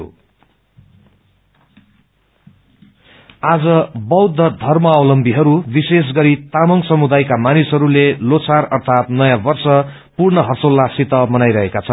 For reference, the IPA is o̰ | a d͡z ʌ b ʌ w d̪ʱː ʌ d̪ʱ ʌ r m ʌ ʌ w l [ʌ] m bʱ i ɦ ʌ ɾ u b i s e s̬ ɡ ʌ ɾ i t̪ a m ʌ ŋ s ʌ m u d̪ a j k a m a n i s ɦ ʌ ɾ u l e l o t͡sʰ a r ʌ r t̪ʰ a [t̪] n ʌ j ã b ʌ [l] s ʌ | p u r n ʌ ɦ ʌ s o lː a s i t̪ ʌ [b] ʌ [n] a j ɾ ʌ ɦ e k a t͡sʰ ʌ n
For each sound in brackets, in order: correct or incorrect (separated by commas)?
correct, correct, incorrect, incorrect, correct